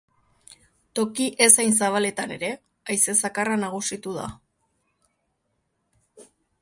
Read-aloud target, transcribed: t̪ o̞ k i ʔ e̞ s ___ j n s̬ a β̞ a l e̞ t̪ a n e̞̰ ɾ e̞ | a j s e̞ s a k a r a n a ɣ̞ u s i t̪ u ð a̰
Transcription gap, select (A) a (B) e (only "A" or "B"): A